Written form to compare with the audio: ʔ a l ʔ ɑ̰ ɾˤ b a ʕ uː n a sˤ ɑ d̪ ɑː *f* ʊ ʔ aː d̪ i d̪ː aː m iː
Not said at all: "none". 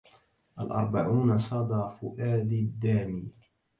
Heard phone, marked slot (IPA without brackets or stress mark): f